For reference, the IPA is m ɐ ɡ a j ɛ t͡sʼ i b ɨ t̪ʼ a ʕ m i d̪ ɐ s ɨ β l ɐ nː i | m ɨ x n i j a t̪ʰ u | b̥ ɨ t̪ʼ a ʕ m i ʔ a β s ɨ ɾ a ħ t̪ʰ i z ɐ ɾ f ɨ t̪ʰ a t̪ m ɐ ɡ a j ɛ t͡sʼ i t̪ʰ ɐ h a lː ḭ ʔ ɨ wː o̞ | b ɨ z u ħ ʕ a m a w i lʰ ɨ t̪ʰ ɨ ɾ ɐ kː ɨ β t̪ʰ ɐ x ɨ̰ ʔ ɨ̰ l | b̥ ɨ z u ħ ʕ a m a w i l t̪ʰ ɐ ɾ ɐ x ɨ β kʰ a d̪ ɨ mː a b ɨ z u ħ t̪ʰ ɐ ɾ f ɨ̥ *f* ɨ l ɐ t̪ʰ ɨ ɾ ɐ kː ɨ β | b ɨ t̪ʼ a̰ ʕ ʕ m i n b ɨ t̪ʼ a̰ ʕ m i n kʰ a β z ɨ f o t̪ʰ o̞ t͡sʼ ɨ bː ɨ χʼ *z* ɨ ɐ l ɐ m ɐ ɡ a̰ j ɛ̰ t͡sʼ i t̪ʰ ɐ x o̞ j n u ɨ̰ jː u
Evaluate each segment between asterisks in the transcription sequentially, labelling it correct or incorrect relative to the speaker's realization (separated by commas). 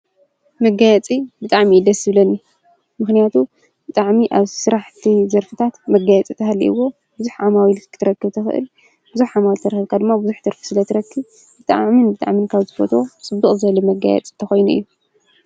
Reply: incorrect, correct